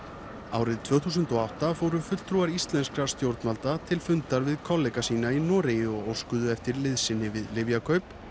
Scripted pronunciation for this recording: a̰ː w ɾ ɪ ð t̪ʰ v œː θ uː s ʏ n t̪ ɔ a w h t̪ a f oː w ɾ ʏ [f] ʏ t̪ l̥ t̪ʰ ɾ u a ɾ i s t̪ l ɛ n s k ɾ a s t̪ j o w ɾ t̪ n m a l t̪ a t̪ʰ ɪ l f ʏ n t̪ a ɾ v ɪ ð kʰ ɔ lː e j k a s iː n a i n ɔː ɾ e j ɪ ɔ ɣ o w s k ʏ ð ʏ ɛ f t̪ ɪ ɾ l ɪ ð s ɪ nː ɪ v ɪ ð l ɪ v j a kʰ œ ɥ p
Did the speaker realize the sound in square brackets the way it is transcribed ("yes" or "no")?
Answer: yes